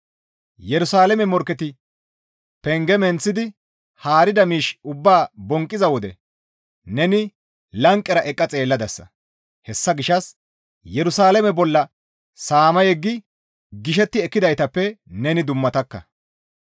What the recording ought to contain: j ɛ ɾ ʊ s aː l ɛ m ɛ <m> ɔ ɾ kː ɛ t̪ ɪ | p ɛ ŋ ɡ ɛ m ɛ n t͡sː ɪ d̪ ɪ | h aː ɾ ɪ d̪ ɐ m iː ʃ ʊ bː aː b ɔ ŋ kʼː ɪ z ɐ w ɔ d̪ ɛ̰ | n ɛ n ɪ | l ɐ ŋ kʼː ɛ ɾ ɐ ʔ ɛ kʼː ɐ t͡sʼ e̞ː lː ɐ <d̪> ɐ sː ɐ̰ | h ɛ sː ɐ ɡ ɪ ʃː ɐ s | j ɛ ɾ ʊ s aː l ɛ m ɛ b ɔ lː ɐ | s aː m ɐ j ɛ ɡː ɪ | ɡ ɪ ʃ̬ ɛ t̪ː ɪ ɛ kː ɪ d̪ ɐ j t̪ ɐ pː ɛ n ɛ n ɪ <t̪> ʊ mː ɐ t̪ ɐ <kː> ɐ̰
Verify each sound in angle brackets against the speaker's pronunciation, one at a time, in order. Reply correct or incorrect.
correct, correct, incorrect: d̪, correct

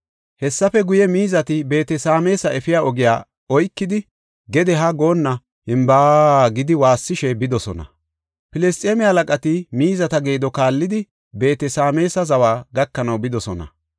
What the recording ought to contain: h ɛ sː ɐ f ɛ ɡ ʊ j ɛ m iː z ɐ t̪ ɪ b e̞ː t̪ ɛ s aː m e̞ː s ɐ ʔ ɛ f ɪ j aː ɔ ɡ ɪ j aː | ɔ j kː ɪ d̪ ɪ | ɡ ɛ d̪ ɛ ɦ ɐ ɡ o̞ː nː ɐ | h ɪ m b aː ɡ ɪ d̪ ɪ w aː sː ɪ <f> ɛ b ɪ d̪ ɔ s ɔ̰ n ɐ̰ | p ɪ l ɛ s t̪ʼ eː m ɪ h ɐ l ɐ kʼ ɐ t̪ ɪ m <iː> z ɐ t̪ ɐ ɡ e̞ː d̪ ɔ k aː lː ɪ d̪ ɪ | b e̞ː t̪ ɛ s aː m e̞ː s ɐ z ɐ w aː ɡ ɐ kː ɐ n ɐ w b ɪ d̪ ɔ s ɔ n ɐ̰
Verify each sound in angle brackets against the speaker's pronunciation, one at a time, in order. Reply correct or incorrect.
incorrect: ʃ, correct

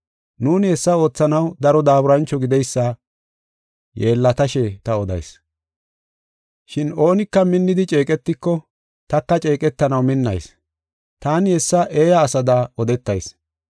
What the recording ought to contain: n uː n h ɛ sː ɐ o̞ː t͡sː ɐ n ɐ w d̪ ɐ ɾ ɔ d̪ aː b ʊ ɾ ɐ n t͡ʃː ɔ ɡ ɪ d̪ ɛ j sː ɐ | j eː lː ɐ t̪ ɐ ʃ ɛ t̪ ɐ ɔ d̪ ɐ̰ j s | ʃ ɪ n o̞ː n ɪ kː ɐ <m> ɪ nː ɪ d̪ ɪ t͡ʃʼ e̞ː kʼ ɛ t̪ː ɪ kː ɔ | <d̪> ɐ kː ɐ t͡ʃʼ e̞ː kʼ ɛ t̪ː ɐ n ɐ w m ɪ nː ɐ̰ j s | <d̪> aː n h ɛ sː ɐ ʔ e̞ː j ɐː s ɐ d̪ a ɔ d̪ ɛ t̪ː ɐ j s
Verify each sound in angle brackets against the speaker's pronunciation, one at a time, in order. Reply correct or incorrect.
correct, incorrect: t̪, incorrect: t̪

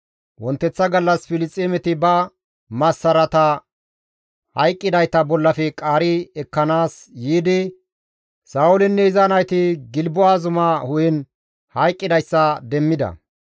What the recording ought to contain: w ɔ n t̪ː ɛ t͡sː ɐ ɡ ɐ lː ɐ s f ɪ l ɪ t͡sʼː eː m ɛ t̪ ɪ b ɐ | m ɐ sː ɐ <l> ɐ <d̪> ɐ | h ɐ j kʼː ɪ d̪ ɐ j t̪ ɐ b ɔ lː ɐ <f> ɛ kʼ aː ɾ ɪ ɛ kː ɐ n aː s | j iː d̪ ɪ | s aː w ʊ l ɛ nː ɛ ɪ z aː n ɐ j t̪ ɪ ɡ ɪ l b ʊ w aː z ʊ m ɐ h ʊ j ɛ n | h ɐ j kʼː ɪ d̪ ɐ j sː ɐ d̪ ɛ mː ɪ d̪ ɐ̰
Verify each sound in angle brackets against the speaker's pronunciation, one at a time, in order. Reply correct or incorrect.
incorrect: ɾ, incorrect: t̪, correct

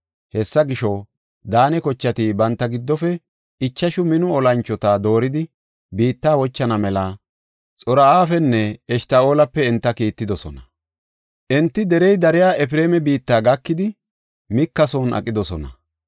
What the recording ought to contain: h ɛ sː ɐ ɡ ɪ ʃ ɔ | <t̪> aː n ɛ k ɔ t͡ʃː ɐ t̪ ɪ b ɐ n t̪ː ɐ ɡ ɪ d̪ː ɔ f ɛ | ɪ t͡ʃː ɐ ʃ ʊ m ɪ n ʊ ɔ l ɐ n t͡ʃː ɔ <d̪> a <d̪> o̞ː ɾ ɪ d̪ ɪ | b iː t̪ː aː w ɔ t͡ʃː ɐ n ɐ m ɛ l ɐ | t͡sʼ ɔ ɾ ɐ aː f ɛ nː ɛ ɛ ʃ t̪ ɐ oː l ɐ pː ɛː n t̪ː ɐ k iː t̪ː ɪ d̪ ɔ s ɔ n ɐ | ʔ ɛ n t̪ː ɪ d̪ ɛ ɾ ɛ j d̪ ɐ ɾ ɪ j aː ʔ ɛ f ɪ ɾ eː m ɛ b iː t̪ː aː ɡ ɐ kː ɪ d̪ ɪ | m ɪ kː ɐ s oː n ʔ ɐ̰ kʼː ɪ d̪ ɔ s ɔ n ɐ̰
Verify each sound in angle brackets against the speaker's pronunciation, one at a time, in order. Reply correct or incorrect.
incorrect: d̪, incorrect: t̪, correct

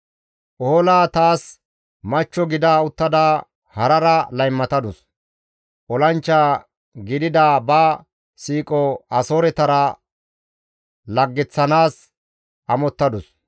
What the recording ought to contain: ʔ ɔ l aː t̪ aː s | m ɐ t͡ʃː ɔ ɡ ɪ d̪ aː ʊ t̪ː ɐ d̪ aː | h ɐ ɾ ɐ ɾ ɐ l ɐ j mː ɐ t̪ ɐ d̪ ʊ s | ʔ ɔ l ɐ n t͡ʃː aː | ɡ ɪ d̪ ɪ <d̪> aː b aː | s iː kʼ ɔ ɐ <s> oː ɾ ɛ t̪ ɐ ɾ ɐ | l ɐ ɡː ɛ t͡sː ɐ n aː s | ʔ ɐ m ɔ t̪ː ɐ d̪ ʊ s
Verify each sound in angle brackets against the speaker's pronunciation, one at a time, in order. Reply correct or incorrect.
correct, correct

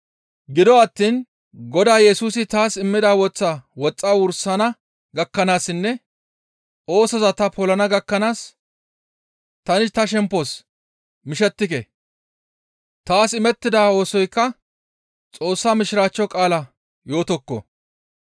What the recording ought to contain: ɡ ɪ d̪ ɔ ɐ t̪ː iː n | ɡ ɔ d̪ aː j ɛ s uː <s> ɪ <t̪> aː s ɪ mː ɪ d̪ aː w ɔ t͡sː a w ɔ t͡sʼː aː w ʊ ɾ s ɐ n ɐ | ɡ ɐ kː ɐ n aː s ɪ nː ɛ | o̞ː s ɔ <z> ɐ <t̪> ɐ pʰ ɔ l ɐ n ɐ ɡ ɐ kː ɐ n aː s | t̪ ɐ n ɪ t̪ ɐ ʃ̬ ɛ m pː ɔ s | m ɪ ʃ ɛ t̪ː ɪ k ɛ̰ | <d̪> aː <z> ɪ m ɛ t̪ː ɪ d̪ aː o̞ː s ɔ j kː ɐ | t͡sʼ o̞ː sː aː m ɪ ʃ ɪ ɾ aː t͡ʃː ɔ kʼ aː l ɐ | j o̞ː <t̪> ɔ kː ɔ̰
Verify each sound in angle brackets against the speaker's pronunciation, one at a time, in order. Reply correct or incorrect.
correct, correct, correct, correct, incorrect: t̪, incorrect: s, correct

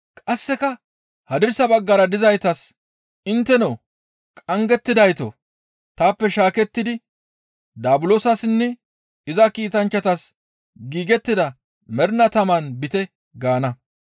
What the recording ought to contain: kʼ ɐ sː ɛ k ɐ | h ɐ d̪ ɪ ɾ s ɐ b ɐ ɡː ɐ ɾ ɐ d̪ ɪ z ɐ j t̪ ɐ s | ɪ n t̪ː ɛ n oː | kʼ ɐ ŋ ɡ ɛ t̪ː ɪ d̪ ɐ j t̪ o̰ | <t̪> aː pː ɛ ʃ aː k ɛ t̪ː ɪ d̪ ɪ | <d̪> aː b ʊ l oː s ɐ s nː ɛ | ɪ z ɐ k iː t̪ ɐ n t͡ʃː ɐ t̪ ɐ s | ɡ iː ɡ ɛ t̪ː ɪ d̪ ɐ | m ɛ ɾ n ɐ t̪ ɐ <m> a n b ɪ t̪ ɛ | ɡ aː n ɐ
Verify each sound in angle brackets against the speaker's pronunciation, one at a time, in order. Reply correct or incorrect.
correct, correct, correct

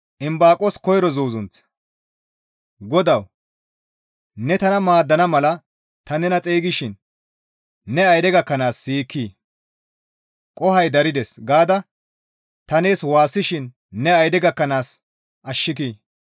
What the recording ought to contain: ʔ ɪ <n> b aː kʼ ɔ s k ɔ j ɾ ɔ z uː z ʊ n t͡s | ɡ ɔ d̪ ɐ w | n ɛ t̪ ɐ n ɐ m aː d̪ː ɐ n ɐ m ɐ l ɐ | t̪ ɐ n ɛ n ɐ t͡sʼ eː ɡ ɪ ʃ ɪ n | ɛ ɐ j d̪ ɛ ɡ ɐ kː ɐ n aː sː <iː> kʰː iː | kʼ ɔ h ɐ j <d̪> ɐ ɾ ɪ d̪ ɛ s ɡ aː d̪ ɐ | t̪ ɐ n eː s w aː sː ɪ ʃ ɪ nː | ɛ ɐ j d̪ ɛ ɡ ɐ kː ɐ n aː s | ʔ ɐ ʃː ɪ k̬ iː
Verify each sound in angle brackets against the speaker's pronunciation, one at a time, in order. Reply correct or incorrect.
incorrect: m, correct, correct

